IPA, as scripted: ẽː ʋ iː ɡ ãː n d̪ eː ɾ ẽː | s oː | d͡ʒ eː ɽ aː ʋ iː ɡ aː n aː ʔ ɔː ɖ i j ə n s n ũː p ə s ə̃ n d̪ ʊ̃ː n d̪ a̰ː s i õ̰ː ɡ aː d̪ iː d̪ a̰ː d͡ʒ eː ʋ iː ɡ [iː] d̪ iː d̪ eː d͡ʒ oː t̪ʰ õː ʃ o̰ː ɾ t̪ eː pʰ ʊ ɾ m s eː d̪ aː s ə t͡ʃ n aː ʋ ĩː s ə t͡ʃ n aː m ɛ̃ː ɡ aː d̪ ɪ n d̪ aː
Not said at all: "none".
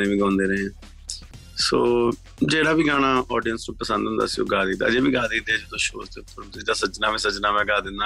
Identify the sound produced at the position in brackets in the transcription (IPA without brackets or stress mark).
aː